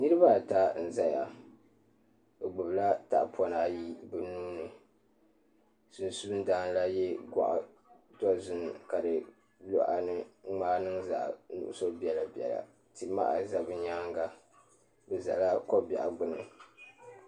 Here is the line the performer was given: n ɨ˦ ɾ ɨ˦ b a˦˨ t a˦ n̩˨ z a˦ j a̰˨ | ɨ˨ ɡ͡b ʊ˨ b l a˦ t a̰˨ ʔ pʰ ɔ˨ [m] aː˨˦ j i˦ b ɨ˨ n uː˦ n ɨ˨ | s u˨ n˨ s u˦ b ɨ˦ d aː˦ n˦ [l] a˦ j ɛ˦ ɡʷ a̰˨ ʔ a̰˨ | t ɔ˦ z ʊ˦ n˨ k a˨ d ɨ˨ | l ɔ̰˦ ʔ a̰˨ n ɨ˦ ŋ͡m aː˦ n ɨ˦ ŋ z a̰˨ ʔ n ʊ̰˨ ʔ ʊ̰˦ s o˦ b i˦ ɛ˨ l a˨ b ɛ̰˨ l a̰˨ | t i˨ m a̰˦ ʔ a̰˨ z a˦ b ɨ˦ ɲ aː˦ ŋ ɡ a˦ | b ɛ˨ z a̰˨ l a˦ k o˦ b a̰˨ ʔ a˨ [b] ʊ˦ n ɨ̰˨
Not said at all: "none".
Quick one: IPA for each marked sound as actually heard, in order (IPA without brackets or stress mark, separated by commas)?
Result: n, l, ɡ͡b